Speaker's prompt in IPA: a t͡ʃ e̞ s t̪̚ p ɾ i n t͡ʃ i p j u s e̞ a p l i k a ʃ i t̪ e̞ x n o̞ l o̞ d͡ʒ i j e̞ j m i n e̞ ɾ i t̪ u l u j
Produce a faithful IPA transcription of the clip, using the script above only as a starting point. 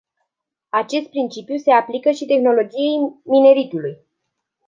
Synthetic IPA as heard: a t͡ʃ e̞ s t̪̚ p ɾ i n t͡ʃ i p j u s e̞ a p l i k ə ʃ i t̪ e̞ x n o̞ l o̞ d͡ʒ i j e̞ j m i n e̞ ɾ i t̪ u l u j